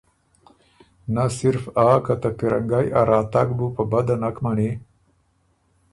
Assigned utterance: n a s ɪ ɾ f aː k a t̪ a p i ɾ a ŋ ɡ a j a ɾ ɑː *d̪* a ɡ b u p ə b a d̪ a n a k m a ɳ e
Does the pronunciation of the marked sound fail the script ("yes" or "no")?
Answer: yes